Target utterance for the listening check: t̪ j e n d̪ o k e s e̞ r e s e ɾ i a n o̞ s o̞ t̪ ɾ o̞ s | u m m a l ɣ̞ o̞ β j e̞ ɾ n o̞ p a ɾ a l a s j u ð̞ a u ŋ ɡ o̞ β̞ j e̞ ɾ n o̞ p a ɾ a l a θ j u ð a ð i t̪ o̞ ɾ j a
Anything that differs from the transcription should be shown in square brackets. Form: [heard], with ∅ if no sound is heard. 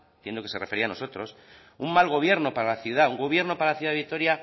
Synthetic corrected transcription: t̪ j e n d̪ o k e s e̞ r e [f] e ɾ i a n o̞ s o̞ t̪ ɾ o̞ s | u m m a l ɣ̞ o̞ β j e̞ ɾ n o̞ p a ɾ a l a [θ] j u ð̞ a u ŋ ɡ o̞ β̞ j e̞ ɾ n o̞ p a ɾ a l a θ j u ð a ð i t̪ o̞ ɾ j a